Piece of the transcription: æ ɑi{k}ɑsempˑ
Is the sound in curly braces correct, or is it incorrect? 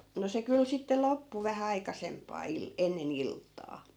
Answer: correct